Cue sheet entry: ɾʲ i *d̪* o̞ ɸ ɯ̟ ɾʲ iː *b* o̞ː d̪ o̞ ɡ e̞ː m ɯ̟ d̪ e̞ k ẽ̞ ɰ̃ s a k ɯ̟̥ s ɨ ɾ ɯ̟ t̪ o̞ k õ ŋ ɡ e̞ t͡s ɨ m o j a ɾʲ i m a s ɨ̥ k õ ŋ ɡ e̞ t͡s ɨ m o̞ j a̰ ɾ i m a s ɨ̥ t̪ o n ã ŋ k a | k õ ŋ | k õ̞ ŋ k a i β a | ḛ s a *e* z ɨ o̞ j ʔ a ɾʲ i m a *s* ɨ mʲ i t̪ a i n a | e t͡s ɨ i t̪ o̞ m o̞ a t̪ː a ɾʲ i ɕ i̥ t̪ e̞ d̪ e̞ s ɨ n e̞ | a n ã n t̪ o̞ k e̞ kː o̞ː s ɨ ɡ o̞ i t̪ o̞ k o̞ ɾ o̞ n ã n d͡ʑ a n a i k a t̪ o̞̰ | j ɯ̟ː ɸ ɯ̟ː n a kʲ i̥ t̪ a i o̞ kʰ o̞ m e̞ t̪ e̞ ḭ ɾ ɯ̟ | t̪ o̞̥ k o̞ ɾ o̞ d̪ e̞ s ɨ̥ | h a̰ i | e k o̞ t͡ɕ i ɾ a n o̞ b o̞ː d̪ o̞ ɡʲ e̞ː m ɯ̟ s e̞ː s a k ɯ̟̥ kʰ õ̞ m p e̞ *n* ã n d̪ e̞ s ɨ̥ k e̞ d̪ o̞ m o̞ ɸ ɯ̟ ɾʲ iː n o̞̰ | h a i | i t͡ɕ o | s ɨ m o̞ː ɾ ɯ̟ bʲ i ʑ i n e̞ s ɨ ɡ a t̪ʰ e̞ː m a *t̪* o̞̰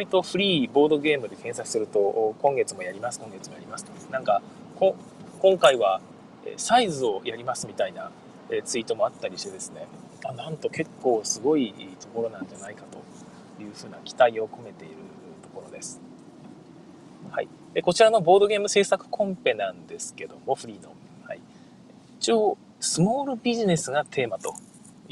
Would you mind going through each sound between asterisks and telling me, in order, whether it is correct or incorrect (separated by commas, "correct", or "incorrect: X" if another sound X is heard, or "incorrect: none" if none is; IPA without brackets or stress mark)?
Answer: incorrect: t̪, correct, incorrect: i, correct, correct, correct